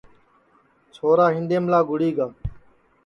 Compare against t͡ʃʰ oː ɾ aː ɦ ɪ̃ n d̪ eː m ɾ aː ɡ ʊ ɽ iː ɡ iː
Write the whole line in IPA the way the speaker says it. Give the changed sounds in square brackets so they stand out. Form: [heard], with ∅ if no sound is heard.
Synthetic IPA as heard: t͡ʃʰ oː ɾ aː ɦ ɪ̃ n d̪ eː m [l] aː ɡ ʊ ɽ iː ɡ [aː]